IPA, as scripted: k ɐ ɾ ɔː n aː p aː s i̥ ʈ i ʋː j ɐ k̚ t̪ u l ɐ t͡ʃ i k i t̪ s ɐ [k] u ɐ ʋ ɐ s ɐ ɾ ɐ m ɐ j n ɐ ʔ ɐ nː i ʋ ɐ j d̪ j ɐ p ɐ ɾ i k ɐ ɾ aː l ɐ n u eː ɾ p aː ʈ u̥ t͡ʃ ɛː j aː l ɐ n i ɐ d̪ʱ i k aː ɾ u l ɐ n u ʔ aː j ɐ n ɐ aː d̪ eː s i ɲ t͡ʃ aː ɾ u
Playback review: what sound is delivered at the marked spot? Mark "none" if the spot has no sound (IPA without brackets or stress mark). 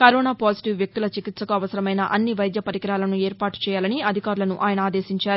k